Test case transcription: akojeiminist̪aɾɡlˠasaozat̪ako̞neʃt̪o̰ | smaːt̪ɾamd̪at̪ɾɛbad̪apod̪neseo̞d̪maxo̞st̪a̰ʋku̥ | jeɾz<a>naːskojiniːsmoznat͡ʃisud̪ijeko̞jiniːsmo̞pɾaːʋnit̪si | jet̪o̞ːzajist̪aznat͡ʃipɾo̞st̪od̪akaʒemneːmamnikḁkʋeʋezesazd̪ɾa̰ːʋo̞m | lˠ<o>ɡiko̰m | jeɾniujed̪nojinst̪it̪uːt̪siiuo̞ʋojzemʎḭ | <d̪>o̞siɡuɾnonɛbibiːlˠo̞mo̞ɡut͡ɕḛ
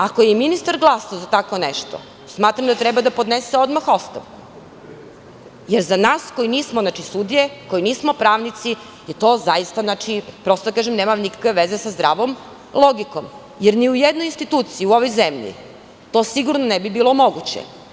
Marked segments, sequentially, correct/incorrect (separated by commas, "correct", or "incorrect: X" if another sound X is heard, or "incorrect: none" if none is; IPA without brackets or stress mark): correct, correct, incorrect: t̪